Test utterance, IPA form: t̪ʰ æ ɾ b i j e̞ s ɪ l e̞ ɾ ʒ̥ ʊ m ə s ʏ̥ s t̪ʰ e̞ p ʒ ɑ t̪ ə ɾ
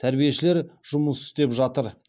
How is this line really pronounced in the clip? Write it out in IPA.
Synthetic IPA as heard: t̪ʰ æ ɾ b i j e̞ ʃ ɪ l e̞ ɾ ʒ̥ ʊ m ə s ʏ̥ s t̪ e̞ p ʒ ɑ t̪ ə ɾ